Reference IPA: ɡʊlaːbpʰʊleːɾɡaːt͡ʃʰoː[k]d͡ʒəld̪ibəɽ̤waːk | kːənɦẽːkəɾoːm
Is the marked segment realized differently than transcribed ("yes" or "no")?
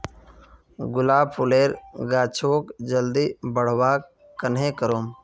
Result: no